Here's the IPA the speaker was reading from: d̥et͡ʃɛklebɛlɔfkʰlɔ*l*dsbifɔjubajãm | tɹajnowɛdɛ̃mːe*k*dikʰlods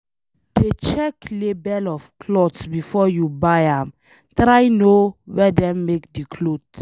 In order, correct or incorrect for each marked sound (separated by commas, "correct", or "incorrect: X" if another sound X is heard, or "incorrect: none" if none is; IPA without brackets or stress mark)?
incorrect: none, correct